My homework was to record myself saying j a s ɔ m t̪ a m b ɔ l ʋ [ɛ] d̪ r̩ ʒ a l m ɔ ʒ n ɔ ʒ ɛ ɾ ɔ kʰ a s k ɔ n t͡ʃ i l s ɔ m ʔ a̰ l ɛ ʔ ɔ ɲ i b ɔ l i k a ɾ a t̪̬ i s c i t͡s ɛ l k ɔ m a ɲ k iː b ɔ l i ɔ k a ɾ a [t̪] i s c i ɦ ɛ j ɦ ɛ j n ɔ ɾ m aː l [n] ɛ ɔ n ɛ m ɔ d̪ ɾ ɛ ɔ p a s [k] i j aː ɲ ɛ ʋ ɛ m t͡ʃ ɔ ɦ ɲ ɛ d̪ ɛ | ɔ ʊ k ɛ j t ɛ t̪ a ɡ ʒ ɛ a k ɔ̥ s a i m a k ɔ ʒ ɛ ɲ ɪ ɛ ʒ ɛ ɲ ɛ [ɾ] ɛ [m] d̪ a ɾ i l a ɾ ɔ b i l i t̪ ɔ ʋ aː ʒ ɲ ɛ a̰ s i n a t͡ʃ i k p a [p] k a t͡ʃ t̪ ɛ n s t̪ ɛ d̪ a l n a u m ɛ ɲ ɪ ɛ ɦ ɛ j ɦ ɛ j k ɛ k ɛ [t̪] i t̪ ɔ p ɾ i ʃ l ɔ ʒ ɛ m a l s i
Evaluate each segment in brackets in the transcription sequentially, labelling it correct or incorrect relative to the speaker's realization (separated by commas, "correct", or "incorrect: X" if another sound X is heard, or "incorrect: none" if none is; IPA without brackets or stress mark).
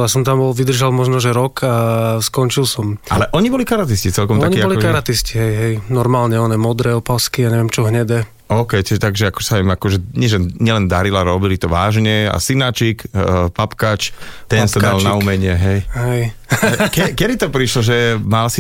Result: incorrect: i, correct, incorrect: ɲ, correct, incorrect: l, incorrect: n, correct, incorrect: d̪